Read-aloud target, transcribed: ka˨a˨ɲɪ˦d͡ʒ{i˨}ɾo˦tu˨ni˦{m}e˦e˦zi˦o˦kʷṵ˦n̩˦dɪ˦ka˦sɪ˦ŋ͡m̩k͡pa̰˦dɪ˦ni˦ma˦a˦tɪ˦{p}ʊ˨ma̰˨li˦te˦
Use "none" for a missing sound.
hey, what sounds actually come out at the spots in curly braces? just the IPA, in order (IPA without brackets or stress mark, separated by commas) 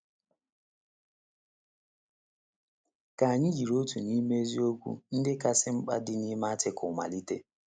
i˨, m, k